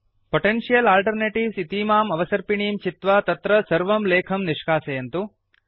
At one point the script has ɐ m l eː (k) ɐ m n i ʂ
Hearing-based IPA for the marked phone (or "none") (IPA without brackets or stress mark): kʰ